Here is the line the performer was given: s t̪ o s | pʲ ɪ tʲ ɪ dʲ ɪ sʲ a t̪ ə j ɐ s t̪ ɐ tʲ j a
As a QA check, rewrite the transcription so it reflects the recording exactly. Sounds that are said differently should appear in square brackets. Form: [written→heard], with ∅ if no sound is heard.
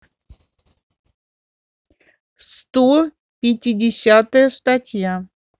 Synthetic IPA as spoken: s t̪ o [s→∅] | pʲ ɪ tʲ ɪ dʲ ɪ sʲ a t̪ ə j [ɐ→ə] s t̪ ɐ tʲ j a